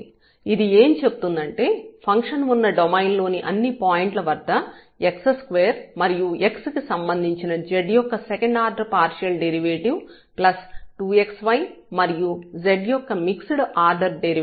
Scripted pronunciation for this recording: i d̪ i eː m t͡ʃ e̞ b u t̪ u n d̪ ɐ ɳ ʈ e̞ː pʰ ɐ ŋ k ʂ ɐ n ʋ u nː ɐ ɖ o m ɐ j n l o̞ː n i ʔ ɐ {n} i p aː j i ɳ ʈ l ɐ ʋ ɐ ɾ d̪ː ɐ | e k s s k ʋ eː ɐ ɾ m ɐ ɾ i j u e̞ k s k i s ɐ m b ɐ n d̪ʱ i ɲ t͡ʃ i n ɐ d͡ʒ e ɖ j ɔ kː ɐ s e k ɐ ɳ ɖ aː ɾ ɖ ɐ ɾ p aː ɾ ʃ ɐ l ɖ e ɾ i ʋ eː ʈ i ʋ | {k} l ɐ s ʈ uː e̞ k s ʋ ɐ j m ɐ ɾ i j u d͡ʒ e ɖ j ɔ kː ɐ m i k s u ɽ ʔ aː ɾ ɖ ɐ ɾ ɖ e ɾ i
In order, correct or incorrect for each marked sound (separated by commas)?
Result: incorrect, incorrect